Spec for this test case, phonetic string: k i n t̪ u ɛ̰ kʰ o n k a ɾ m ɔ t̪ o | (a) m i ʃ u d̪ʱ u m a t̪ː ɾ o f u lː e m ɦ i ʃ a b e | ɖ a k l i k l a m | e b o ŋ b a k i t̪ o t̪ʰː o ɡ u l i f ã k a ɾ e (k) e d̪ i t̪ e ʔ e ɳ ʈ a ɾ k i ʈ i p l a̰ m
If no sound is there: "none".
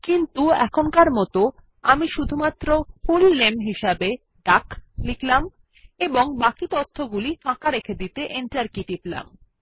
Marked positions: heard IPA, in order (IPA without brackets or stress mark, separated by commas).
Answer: a, kʰ